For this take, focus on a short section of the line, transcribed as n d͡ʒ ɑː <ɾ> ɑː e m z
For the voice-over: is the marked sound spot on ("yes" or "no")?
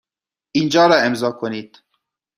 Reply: yes